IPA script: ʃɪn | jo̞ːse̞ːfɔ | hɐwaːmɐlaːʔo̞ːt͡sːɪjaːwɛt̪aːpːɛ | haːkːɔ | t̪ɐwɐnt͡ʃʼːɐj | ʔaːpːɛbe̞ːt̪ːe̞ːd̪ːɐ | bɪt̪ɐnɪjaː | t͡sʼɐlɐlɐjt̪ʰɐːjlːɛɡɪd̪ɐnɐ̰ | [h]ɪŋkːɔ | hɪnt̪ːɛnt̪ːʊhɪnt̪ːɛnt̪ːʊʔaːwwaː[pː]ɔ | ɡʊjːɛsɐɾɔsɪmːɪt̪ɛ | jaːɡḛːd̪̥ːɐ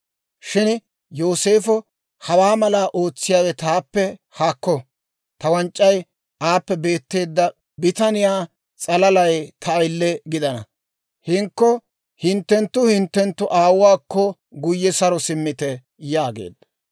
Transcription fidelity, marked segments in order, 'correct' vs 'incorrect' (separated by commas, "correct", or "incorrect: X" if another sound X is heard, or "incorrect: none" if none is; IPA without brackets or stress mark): correct, incorrect: kː